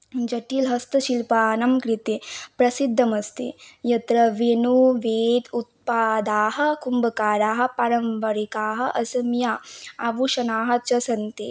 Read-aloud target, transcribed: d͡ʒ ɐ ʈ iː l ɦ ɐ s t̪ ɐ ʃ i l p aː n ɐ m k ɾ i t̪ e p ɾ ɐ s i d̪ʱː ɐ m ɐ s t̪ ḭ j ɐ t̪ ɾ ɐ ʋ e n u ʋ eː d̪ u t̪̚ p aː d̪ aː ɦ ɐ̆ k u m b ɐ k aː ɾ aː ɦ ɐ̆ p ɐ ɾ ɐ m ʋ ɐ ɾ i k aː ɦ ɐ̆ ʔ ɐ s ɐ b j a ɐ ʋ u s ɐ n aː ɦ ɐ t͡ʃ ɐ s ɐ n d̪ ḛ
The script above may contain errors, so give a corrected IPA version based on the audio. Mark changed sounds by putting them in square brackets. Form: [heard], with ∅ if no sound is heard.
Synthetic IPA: d͡ʒ ɐ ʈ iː l ɦ ɐ s t̪ ɐ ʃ i l p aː n ɐ m k ɾ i t̪ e p ɾ ɐ s i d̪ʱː ɐ m ɐ s t̪ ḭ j ɐ t̪ ɾ ɐ ʋ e n u ʋ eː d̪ u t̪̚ p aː d̪ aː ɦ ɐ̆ k u m b ɐ k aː ɾ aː ɦ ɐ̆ p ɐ ɾ ɐ m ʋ ɐ ɾ i k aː ɦ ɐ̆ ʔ ɐ s ɐ [m] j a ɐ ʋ u [ʃ] ɐ n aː ɦ ɐ t͡ʃ ɐ s ɐ n [t̪] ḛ